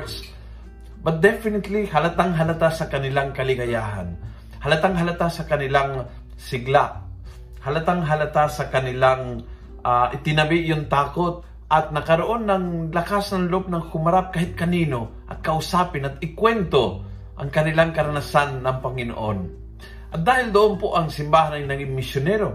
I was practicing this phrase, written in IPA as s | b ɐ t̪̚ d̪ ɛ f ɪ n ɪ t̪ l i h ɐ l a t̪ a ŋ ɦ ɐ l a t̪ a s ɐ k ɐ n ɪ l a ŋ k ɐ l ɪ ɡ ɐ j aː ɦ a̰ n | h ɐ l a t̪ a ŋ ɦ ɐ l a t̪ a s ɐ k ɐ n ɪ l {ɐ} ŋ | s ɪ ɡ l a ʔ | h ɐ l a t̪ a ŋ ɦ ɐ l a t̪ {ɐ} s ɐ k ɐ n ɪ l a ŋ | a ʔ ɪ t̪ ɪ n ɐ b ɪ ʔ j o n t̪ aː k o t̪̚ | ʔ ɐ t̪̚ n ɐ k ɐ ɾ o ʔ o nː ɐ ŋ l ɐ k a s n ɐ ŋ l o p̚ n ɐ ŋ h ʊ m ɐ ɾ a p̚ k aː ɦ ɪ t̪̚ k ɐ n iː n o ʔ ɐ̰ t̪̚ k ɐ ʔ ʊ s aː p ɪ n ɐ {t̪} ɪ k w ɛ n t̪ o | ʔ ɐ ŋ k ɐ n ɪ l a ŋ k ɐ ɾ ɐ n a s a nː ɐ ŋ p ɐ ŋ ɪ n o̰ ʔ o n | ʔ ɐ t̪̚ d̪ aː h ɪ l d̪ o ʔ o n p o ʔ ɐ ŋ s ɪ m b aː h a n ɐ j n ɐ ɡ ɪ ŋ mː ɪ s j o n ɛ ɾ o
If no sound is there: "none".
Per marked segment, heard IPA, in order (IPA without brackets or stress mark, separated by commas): a, a, t̪